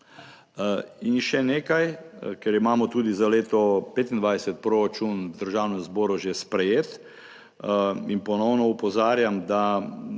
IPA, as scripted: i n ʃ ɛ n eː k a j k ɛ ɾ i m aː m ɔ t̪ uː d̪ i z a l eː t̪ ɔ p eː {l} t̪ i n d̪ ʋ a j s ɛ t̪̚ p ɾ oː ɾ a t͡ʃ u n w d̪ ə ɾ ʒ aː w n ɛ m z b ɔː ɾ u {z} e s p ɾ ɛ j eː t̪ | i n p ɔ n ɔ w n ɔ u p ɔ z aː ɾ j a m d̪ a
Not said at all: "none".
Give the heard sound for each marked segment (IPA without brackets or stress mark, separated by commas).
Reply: none, ʒ